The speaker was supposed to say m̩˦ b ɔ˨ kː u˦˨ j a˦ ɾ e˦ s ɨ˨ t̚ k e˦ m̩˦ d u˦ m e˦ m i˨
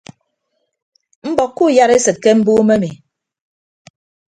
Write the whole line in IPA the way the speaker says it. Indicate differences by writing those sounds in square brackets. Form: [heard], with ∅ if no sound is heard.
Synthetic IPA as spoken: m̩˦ b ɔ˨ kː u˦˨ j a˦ ɾ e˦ s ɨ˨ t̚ k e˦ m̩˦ [b] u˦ m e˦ m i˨